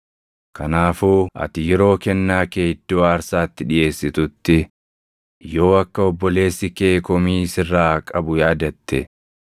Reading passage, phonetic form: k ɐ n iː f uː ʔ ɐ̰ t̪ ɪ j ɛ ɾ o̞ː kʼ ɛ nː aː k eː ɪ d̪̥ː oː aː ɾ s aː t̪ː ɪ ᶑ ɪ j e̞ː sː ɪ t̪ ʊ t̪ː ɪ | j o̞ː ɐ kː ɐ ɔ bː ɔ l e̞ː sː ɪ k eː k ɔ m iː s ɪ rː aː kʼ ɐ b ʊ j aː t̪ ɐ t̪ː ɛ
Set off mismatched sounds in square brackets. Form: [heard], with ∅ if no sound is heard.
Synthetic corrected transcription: k ɐ n [aː] f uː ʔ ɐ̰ t̪ ɪ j ɛ ɾ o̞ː [k] ɛ nː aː k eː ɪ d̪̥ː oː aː ɾ s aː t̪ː ɪ ᶑ ɪ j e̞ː sː ɪ t̪ ʊ t̪ː ɪ | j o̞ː ɐ kː ɐ ɔ bː ɔ l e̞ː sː ɪ k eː k ɔ m iː s ɪ rː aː kʼ ɐ b ʊ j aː [d̪] ɐ t̪ː ɛ